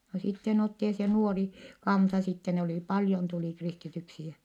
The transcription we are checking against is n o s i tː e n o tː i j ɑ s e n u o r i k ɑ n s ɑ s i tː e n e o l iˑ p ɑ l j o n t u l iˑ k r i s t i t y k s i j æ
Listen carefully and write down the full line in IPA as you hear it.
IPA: n o s i tː e n o tː i j ɑ s e n u o r i k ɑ n s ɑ s i tː e n e o l iˑ p ɑ l j o n t u l iˑ k r i s t i t y k s i j æ